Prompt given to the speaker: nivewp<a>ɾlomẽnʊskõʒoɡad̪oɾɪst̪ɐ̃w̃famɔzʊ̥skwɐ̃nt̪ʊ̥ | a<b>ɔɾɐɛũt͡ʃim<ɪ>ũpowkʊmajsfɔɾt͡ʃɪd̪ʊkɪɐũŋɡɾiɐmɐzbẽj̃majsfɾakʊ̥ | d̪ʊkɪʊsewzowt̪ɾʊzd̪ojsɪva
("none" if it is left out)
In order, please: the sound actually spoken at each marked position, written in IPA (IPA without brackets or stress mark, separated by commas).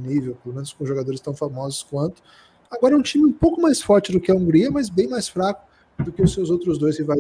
e, ɡ, ɪ